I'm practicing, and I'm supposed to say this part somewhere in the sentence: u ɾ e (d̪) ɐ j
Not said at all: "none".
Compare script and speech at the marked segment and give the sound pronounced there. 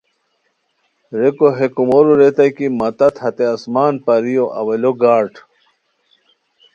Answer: t̪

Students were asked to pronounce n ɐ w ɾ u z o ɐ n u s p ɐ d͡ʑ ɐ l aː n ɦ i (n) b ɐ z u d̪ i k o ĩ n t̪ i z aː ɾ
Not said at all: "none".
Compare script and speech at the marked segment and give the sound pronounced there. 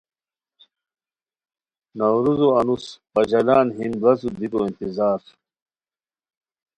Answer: n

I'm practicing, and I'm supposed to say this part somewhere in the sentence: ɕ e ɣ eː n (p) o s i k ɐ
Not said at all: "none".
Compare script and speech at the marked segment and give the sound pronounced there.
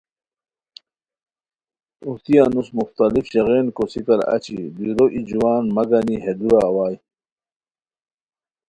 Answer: k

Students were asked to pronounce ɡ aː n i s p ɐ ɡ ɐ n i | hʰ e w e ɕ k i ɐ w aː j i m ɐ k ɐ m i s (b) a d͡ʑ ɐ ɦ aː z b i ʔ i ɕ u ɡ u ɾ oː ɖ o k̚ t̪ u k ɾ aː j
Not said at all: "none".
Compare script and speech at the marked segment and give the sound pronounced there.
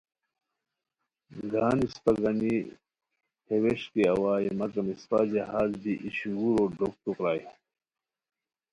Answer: p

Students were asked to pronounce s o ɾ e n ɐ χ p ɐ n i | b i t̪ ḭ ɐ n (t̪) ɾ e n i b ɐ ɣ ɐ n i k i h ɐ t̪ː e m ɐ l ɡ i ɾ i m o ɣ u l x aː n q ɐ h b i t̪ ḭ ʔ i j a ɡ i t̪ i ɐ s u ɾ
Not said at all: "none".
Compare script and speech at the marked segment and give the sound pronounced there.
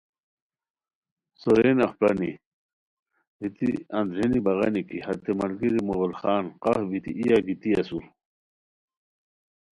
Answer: d̪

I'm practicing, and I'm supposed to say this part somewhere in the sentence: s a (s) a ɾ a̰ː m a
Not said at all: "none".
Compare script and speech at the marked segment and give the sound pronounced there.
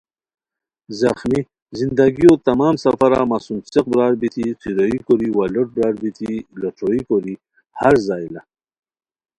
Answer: f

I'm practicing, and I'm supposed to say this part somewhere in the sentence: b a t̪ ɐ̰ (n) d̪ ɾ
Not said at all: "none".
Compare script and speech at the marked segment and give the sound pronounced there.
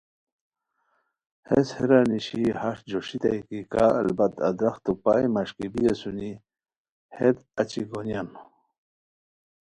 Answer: none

